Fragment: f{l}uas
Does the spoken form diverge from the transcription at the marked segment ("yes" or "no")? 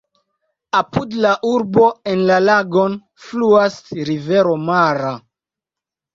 no